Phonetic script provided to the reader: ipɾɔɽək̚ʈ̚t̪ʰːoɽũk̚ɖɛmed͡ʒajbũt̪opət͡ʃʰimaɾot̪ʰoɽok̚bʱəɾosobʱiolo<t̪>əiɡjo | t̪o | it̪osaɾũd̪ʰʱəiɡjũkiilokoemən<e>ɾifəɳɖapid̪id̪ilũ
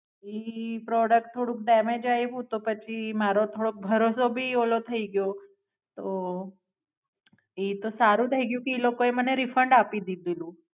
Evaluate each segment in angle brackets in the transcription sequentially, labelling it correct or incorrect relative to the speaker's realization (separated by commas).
incorrect, correct